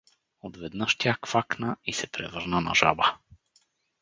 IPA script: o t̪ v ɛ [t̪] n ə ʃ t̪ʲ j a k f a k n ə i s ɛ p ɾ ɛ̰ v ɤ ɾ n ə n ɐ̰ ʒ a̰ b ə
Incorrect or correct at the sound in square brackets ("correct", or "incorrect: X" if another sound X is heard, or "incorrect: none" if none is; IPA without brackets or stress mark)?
incorrect: d̪